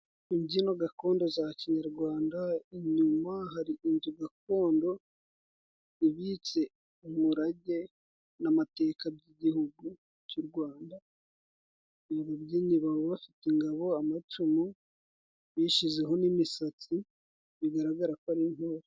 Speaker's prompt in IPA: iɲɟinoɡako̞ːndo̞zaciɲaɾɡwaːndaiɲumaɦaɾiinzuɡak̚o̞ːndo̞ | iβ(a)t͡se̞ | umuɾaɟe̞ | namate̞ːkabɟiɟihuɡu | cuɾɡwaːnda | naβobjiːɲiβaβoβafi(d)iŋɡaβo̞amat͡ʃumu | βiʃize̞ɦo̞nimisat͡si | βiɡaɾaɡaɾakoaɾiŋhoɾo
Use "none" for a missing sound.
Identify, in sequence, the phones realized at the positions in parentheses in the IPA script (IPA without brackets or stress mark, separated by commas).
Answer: i, t